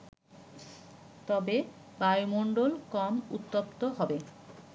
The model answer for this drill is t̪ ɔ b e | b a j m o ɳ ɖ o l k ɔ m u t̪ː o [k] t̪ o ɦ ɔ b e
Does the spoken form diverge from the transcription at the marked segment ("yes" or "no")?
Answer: yes